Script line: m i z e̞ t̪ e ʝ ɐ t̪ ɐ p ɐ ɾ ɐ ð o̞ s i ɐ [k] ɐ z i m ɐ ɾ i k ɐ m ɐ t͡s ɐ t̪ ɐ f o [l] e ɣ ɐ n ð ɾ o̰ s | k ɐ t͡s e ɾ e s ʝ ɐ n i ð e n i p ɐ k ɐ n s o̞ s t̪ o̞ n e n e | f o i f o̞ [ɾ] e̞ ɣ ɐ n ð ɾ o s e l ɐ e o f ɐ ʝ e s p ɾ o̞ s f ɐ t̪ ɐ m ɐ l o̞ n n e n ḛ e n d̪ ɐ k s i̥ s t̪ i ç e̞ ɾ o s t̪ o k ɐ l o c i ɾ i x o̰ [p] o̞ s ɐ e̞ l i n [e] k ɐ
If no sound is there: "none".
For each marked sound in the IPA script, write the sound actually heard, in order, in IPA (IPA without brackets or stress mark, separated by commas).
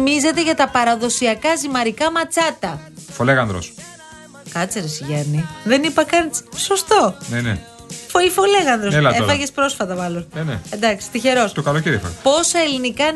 k, l, l, p, i